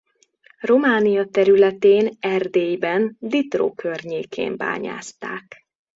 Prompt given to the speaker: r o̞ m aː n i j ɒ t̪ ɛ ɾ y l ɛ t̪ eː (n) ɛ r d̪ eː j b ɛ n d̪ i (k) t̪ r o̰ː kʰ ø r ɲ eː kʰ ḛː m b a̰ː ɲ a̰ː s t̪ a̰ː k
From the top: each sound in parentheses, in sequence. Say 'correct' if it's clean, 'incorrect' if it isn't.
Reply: correct, incorrect: none

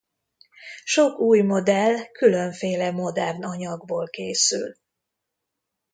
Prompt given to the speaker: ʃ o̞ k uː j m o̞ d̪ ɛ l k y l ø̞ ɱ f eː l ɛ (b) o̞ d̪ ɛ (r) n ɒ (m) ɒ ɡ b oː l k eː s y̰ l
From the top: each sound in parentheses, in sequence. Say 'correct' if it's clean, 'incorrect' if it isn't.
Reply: incorrect: m, correct, incorrect: ɲ

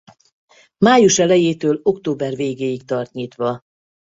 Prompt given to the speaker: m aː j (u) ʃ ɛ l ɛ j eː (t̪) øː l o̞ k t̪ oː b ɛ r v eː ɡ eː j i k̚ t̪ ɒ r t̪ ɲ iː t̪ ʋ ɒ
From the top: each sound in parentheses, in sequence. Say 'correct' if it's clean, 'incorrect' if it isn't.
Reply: correct, correct

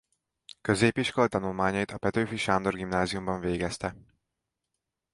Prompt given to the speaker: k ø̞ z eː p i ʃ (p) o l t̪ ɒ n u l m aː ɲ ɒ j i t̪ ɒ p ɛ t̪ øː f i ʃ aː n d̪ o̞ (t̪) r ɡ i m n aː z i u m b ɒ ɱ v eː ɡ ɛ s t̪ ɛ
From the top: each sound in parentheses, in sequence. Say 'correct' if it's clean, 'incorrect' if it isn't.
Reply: incorrect: k, incorrect: none

